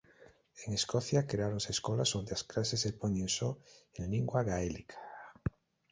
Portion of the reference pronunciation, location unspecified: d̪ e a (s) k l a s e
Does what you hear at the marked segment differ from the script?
no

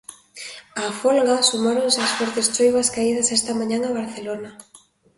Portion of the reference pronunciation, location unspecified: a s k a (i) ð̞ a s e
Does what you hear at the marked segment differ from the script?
no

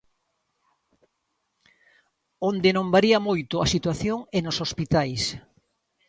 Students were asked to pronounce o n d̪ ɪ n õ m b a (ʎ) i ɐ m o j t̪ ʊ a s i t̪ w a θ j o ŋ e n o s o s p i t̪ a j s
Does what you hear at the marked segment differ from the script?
yes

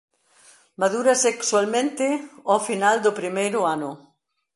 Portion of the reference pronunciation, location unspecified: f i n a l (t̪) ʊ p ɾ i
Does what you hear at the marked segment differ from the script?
yes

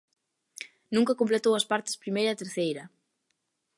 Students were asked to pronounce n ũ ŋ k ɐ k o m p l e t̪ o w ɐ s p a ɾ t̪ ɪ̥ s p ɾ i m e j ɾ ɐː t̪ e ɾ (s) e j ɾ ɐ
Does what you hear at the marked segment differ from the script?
yes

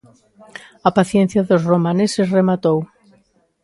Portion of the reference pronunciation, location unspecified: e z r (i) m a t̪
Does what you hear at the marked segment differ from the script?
yes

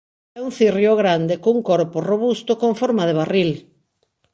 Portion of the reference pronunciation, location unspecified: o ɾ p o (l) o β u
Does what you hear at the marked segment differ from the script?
yes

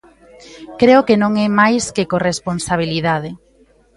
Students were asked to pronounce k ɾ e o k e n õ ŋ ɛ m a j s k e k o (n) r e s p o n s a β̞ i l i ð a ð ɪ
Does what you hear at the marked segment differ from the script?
yes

